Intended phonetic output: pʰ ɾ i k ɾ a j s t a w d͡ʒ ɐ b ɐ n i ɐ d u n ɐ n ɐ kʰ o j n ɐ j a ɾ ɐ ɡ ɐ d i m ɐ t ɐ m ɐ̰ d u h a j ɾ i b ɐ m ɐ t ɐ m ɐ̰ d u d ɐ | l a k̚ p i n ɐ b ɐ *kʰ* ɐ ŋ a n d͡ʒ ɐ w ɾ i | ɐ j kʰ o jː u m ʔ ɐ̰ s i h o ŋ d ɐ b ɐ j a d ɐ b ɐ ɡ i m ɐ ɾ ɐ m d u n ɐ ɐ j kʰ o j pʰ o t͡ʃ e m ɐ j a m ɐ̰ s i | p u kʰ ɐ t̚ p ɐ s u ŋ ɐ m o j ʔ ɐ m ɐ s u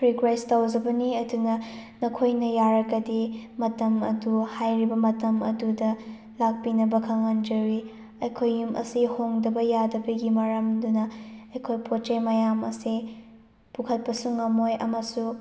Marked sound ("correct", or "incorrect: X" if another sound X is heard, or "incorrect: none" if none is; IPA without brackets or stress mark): correct